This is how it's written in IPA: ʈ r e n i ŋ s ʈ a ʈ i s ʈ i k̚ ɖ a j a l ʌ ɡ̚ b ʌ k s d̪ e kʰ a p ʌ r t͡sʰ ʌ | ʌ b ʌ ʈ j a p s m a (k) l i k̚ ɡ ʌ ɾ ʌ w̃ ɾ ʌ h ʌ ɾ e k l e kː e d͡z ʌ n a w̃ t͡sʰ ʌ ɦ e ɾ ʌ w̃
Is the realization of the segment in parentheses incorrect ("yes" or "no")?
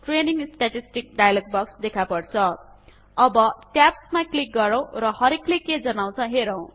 no